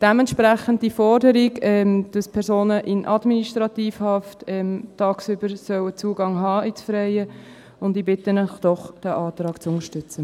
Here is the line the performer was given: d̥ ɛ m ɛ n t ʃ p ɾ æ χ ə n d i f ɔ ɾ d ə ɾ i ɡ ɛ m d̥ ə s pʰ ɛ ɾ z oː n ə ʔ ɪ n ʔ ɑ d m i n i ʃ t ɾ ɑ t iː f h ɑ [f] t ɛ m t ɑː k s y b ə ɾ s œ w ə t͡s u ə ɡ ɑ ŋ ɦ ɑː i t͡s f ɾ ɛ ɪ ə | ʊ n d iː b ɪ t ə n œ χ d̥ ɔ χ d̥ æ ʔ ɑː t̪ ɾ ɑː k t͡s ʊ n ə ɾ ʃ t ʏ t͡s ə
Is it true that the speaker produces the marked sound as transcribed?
yes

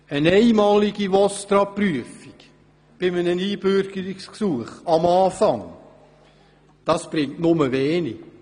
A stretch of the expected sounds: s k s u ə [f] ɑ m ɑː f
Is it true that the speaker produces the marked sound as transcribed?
no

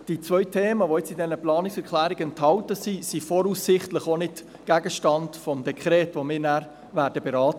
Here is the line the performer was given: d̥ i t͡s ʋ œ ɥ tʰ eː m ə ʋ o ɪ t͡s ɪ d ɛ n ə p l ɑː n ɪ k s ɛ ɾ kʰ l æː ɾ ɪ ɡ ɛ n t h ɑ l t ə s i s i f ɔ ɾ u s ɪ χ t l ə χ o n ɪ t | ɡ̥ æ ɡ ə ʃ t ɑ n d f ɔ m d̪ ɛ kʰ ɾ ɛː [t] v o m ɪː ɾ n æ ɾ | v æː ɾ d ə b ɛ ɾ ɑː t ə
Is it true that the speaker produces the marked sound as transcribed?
yes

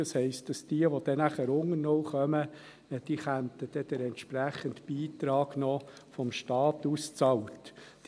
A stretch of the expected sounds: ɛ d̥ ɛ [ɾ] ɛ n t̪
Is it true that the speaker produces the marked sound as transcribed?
yes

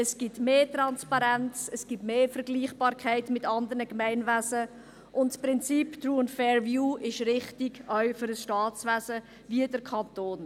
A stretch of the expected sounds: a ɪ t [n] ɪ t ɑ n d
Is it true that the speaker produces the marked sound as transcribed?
no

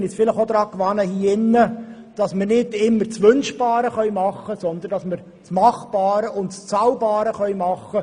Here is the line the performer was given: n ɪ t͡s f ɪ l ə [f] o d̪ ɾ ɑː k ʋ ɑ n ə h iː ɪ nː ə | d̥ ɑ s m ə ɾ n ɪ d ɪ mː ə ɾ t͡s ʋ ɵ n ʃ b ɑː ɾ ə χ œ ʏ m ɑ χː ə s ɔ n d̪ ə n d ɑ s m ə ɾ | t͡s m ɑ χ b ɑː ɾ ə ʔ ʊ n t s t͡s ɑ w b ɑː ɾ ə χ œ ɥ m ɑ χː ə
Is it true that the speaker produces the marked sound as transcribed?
no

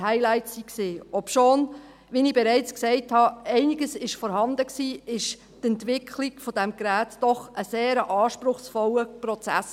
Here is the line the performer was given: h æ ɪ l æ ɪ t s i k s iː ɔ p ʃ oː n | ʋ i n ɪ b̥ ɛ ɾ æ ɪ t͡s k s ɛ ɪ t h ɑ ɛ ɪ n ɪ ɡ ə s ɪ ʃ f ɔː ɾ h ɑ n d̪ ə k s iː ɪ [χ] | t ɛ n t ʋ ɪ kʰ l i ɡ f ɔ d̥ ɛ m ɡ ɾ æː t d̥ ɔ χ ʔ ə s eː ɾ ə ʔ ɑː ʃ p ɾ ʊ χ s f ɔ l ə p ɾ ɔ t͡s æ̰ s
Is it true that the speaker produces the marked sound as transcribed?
no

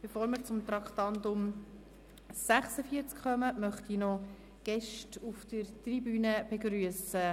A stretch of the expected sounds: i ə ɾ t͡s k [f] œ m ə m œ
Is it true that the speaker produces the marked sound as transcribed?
no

